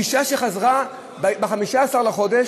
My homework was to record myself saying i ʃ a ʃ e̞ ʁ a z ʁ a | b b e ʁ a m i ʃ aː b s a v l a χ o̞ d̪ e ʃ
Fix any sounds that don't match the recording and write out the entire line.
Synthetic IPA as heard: i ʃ a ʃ e̞ χ a z ʁ a | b b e χ a m i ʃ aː s a ʁ l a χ o̞ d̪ e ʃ